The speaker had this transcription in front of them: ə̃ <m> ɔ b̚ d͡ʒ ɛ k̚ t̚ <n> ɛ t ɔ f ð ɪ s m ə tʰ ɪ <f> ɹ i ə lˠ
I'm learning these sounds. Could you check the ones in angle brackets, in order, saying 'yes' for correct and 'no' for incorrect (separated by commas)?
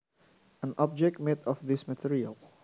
no, no, no